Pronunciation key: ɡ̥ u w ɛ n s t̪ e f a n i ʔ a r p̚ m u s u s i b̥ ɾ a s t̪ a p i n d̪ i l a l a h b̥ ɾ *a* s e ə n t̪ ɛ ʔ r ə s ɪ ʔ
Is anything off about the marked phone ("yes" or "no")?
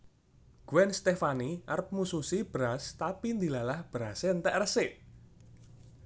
no